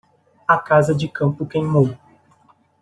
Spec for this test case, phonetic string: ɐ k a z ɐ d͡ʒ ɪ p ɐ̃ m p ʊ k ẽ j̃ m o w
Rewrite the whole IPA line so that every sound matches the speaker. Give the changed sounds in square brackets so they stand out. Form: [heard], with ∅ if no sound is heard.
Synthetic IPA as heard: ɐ k a z ɐ d͡ʒ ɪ [k] ɐ̃ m p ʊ k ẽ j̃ m o w